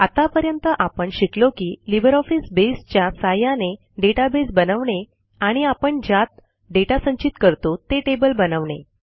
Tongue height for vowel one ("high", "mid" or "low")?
low